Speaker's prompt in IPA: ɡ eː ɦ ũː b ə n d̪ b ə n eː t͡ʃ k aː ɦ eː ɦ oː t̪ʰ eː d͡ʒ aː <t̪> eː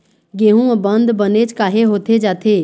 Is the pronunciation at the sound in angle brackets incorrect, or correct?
incorrect